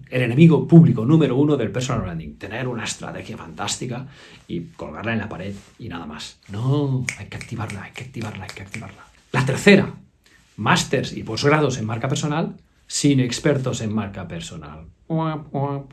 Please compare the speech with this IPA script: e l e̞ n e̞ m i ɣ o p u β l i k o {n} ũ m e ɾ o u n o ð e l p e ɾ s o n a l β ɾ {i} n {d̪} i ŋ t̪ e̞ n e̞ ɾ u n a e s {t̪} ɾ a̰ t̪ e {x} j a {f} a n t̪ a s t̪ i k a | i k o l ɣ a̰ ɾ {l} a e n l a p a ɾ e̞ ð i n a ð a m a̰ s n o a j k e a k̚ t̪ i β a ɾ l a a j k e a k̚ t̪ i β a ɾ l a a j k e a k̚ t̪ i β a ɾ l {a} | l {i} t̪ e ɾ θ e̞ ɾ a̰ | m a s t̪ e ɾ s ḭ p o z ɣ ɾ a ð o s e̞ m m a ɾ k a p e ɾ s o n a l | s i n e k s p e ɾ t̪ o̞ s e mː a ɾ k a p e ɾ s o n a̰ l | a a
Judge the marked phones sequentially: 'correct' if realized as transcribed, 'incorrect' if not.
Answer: correct, incorrect, correct, correct, correct, correct, correct, correct, incorrect

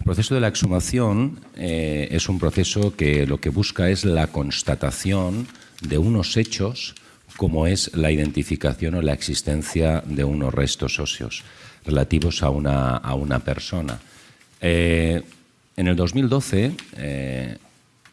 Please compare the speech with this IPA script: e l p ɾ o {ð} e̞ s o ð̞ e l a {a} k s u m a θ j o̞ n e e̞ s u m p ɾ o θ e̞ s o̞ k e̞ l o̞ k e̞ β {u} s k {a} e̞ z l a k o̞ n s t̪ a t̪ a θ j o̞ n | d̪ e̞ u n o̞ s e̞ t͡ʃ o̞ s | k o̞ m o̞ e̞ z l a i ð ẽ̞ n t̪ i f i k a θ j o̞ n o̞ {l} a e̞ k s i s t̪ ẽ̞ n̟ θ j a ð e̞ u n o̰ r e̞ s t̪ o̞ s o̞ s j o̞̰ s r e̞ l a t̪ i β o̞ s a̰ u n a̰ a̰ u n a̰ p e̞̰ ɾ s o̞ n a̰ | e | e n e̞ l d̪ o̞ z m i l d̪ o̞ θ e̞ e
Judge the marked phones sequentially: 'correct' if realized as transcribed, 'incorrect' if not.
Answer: incorrect, incorrect, correct, correct, correct

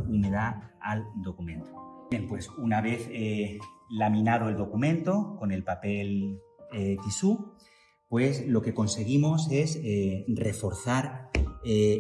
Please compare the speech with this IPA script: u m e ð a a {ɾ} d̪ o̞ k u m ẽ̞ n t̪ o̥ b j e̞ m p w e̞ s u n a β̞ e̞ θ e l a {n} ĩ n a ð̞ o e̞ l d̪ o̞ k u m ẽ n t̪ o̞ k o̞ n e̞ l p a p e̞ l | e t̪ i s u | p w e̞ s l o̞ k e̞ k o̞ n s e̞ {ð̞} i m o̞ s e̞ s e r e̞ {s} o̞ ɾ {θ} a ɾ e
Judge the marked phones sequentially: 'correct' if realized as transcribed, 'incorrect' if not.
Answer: incorrect, incorrect, incorrect, incorrect, correct

